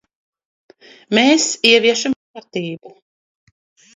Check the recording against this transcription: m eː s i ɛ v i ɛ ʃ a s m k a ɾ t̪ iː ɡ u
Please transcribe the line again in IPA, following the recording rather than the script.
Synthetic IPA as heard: m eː s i ɛ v i ɛ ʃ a m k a ɾ t̪ iː b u

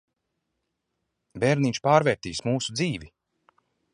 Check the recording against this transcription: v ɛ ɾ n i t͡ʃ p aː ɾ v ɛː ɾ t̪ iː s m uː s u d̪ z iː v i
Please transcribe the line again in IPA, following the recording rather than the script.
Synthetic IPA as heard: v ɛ ɾ n i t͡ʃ p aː ɾ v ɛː ɾ t̪ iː s m uː s u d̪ z iː v i

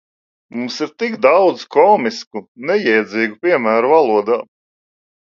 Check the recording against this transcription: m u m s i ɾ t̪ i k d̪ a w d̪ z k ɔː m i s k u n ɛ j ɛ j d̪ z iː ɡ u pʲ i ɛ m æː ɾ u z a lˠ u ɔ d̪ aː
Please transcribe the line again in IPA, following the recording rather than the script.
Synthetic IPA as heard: m u m s i ɾ t̪ i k d̪ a w d̪ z k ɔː m i s k u n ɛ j ɛ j d̪ z iː ɡ u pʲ i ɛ m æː ɾ u v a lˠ u ɔ d̪ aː

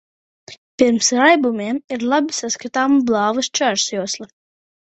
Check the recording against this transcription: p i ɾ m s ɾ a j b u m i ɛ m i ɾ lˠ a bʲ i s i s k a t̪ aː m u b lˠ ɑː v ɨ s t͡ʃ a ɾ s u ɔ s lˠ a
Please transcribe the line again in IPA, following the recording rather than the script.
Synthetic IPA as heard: p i ɾ m s ɾ a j b u m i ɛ m i ɾ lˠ a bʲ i s a s k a t̪ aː m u b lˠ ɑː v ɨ s t͡ʃ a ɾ s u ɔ s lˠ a

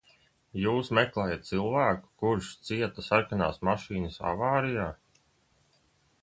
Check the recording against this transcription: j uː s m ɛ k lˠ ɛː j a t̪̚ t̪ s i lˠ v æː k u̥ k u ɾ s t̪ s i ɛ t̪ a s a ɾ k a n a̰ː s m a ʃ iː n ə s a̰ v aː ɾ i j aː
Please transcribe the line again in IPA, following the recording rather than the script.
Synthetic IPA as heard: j uː s m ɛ k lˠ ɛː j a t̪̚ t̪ s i lˠ v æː k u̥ k u ɾ ʃ t̪ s i ɛ t̪ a s a ɾ k a n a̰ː s m a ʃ iː n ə s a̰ v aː ɾ i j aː

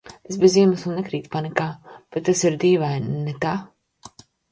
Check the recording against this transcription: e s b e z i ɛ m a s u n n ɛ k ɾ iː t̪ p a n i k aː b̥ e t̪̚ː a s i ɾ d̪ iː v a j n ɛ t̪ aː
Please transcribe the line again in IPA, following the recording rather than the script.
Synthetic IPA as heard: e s b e z i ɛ m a s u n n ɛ k ɾ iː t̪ p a n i k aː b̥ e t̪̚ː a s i ɾ d̪ iː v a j n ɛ t̪ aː

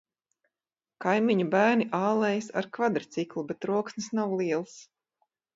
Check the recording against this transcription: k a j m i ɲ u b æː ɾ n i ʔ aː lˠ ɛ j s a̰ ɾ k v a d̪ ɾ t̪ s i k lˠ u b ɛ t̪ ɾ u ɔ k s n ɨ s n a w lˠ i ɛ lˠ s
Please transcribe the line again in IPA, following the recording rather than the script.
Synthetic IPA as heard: k a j m i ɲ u b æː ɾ n i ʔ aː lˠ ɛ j s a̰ ɾ k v a d̪ ɾ t̪ s i k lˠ u b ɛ t̪ ɾ u ɔ k s n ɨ s n a w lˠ i ɛ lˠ s

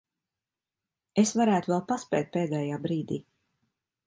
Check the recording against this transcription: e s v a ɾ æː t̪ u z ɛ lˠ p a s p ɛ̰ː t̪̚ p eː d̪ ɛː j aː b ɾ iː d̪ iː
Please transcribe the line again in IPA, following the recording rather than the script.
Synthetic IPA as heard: e s v a ɾ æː t̪ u v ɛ lˠ p a s p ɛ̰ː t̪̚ p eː d̪ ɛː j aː b ɾ iː d̪ iː

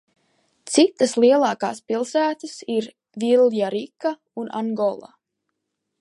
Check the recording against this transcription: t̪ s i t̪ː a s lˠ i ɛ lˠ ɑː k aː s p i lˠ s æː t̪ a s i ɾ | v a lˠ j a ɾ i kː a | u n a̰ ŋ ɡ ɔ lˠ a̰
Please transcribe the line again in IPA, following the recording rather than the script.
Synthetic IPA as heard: t̪ s i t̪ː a s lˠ i ɛ lˠ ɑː k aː s p i lˠ s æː t̪ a s i ɾ | v i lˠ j a ɾ i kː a | u n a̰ ŋ ɡ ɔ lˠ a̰

